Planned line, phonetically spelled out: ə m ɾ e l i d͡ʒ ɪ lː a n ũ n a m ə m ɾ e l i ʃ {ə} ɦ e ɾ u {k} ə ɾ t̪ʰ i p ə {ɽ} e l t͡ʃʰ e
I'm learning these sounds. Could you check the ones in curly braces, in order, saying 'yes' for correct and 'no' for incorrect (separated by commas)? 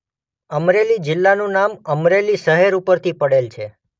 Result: yes, no, yes